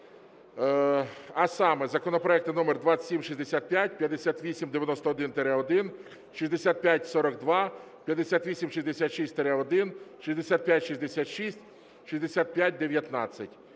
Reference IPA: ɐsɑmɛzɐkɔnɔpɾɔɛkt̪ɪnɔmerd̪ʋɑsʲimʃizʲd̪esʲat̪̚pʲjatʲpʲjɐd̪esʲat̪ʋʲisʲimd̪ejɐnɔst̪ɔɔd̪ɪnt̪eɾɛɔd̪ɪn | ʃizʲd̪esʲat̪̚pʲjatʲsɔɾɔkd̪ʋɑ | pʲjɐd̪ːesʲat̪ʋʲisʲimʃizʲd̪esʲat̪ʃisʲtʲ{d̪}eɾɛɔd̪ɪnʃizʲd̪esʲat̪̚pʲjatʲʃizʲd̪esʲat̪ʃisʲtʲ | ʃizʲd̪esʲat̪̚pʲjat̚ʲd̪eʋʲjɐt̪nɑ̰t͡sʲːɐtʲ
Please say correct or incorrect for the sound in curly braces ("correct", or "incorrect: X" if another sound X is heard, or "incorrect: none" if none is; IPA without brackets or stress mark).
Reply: incorrect: t̪